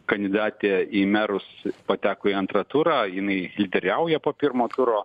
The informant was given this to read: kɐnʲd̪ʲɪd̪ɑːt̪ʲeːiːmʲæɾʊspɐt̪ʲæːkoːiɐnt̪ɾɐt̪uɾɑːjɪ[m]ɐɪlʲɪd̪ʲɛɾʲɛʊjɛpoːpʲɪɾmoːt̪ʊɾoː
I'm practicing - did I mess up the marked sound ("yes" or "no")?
yes